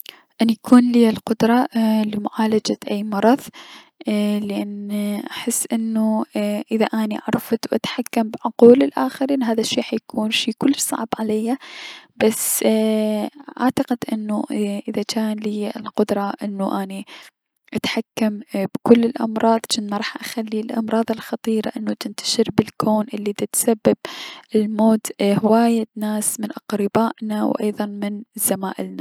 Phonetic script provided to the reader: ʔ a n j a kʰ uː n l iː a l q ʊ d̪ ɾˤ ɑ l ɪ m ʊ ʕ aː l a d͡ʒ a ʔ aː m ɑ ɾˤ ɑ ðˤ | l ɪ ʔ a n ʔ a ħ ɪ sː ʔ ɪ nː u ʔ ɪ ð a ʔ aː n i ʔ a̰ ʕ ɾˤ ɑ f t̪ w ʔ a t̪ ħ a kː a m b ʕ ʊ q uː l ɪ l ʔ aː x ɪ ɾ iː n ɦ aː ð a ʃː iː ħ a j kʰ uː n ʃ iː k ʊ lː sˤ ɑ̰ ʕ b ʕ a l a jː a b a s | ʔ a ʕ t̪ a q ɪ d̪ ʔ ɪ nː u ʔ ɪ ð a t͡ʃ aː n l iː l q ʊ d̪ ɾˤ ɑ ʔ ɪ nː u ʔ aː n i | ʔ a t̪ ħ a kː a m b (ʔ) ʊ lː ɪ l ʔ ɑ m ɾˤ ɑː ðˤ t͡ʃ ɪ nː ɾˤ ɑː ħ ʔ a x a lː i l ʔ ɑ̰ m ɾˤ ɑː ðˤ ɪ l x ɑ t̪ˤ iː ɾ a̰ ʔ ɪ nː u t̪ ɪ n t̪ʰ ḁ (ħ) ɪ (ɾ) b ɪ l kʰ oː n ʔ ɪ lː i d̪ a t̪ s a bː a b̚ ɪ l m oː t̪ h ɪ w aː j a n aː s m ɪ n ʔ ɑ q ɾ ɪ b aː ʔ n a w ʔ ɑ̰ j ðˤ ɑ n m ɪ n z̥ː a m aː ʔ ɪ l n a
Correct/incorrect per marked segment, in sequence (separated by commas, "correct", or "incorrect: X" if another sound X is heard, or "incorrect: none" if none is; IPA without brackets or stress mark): incorrect: k, incorrect: ʃ, correct